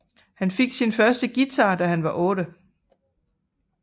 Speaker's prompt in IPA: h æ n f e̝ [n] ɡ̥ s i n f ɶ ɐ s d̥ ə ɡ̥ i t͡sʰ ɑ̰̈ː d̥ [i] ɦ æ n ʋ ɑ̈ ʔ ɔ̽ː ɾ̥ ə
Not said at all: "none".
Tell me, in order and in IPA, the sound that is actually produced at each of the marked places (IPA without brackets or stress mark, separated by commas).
none, æ